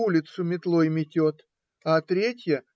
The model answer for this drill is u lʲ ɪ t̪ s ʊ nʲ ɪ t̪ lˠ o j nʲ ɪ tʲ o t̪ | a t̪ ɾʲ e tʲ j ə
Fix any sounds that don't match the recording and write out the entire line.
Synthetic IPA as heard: u lʲ ɪ t̪ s ʊ mʲ ɪ t̪ lˠ o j mʲ ɪ tʲ o t̪ | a t̪ ɾʲ e tʲ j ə